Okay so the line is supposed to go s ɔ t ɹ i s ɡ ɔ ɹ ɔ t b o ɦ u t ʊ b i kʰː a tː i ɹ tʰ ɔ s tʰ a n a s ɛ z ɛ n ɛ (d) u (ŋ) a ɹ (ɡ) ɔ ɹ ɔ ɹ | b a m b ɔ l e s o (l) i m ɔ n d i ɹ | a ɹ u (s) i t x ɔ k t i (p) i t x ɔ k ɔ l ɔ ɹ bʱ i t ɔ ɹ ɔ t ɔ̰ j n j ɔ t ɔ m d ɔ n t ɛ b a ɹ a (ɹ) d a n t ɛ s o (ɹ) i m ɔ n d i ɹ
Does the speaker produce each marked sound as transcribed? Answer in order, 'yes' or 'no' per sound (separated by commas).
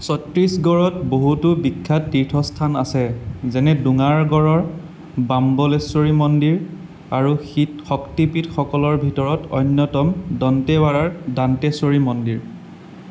yes, yes, yes, no, no, yes, yes, yes